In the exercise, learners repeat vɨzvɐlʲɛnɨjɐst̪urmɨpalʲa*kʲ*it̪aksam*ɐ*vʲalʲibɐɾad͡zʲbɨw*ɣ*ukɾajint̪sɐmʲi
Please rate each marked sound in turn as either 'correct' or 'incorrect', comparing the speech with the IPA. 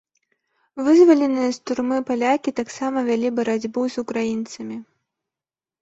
correct, correct, incorrect: z

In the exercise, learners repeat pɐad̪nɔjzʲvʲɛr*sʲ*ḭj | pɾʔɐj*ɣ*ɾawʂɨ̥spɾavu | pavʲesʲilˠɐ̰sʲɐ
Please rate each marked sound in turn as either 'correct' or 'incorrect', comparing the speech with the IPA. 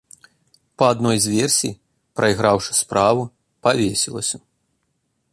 correct, correct

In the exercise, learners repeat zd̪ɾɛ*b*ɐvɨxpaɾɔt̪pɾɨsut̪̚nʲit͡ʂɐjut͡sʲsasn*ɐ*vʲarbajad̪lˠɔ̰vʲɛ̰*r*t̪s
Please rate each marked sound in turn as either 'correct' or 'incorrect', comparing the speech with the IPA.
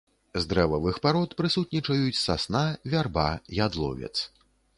incorrect: v, incorrect: a, incorrect: none

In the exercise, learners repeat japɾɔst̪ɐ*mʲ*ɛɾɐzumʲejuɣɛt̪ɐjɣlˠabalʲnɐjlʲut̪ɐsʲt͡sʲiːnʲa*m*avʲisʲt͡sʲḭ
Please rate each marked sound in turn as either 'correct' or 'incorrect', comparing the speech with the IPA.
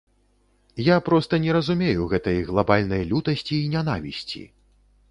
incorrect: nʲ, incorrect: n

